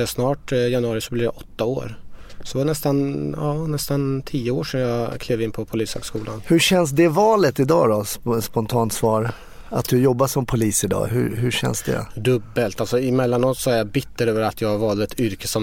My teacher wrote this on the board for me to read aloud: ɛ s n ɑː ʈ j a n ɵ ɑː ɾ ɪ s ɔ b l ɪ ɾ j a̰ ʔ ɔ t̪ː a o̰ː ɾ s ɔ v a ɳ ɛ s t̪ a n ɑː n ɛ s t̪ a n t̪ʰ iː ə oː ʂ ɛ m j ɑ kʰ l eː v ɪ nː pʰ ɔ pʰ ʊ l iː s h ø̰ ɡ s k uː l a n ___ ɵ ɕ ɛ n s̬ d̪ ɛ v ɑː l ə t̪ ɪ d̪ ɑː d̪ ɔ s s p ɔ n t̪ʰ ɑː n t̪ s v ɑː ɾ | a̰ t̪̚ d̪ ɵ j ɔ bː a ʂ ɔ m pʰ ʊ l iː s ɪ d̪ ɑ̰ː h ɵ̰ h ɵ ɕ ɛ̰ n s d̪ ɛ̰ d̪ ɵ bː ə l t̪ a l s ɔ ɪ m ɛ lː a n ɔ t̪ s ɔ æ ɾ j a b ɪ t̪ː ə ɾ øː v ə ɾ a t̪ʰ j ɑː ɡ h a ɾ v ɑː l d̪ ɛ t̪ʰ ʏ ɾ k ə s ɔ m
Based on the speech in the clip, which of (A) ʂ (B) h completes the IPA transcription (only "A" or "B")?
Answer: B